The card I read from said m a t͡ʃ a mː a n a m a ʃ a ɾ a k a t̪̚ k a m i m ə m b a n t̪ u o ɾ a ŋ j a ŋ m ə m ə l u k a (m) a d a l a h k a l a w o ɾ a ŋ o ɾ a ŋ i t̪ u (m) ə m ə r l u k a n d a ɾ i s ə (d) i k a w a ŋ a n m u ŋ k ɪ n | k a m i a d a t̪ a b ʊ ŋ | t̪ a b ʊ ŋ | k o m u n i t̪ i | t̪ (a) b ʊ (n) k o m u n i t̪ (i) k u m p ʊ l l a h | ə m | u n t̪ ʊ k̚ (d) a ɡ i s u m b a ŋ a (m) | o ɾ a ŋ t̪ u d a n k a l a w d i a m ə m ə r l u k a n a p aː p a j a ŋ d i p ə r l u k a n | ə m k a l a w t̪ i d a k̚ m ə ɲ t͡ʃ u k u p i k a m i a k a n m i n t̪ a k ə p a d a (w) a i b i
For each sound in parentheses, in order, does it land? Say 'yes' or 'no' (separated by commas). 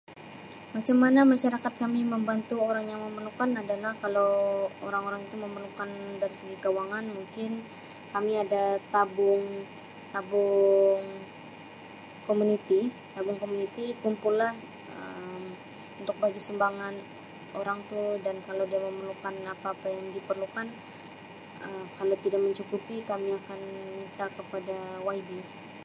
no, yes, no, yes, no, yes, no, no, yes